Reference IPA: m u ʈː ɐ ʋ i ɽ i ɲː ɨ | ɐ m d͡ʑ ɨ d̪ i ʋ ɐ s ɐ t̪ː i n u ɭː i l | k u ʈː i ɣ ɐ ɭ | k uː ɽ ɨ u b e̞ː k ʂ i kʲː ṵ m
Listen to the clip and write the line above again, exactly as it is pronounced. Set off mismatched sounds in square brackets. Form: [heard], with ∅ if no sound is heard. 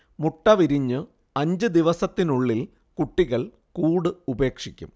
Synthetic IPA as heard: m u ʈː ɐ ʋ i [ɾ] i ɲː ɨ | ɐ [ɲ] d͡ʑ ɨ d̪ i ʋ ɐ s ɐ t̪ː i n u ɭː i l | k u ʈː i ɣ ɐ ɭ | k uː ɽ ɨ u b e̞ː k ʂ i kʲː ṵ m